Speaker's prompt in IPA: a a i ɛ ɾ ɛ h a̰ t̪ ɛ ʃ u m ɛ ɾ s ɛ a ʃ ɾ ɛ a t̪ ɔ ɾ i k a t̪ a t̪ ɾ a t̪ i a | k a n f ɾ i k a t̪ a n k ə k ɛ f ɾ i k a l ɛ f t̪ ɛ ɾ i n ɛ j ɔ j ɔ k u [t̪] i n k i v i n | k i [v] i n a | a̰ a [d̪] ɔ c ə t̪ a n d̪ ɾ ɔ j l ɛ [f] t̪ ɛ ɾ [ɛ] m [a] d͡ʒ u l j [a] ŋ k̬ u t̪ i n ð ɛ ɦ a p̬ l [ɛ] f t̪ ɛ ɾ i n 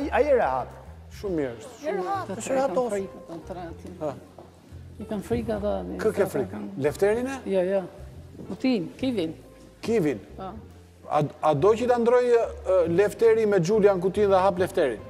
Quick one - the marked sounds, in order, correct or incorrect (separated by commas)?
correct, correct, correct, correct, incorrect, incorrect, correct, correct